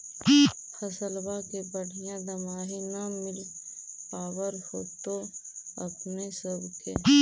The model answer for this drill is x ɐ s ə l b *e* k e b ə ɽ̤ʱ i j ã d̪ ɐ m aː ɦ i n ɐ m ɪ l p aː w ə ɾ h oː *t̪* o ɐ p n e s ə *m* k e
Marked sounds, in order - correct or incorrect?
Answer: incorrect, correct, incorrect

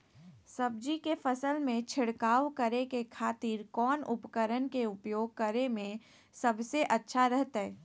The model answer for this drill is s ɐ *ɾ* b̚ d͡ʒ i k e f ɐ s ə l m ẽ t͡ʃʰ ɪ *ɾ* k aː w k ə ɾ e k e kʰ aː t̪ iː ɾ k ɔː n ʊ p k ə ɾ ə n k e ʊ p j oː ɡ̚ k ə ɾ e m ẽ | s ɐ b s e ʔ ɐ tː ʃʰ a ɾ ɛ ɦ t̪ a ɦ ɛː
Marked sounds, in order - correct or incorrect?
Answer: incorrect, incorrect

